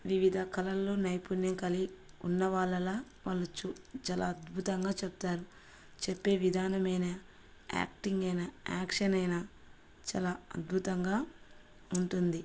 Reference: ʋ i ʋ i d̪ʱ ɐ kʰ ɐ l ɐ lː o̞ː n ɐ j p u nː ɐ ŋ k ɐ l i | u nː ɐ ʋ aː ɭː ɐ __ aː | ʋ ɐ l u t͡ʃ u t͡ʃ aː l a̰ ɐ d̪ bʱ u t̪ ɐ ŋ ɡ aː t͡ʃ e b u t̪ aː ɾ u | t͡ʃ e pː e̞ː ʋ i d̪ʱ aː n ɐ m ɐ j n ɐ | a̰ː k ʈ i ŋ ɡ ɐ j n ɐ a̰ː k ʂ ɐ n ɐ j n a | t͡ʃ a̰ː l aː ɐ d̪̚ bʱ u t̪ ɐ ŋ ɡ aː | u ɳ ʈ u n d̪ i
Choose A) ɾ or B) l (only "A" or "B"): B